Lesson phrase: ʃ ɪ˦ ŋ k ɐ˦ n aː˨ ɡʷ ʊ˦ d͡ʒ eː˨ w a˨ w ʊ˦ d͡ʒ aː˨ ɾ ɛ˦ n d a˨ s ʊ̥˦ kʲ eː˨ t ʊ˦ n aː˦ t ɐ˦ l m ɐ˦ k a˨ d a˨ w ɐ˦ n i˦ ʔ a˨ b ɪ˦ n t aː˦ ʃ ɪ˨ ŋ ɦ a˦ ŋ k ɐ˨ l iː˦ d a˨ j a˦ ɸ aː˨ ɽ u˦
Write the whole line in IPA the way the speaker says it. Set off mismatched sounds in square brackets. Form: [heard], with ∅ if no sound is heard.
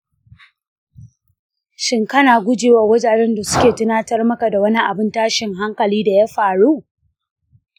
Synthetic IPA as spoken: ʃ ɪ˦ ŋ k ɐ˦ n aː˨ ɡʷ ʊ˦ d͡ʒ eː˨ w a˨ w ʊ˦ d͡ʒ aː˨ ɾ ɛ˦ n d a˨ s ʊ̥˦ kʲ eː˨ t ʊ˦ n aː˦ t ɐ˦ [r] m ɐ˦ k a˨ d a˨ w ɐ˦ n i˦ ʔ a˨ b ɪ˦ n t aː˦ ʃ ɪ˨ ŋ ɦ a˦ ŋ k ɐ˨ l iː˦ d a˨ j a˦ ɸ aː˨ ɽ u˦